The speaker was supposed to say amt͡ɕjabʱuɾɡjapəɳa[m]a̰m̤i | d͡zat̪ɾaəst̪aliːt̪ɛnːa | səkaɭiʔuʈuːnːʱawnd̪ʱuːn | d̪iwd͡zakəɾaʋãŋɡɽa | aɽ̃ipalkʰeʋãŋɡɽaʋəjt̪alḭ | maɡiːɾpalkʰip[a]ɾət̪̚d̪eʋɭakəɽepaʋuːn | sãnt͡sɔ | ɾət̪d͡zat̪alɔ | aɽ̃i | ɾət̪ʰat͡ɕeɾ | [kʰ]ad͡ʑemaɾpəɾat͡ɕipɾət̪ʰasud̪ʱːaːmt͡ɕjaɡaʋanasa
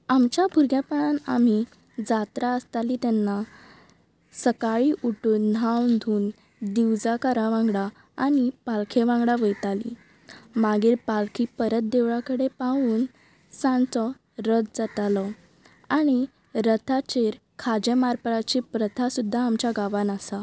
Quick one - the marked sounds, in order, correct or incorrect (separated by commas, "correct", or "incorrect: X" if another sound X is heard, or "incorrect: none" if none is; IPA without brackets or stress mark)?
incorrect: n, incorrect: ə, correct